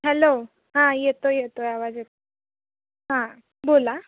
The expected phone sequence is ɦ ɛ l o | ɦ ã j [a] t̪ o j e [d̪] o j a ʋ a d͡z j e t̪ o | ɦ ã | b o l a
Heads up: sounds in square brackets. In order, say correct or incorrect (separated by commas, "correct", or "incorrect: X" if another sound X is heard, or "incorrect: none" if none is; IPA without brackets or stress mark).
incorrect: e, incorrect: t̪